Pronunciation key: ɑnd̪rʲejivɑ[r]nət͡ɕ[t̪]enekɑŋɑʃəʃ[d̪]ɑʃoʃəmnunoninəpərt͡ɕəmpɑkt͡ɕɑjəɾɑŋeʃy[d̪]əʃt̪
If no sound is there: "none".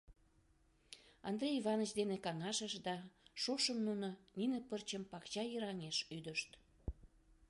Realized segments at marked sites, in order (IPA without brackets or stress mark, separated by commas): none, d̪, d̪, d̪